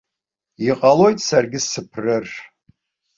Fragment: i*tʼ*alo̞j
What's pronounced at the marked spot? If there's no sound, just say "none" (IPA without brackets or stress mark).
qʼ